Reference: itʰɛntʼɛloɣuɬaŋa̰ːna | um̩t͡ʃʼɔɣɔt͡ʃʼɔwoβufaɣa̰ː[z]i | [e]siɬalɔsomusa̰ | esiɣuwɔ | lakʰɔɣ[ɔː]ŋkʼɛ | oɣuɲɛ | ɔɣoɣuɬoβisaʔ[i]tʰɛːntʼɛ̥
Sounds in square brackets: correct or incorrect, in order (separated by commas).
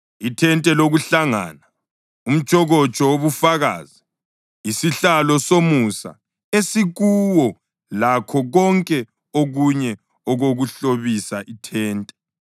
correct, incorrect, incorrect, correct